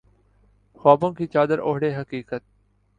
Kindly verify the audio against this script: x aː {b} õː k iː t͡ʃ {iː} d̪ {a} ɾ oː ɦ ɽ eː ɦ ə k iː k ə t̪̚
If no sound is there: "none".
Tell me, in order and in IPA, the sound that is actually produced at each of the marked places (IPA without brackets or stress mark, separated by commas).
b, aː, ə